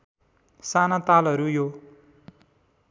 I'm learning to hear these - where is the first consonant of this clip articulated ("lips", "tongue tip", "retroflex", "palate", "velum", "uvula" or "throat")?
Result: tongue tip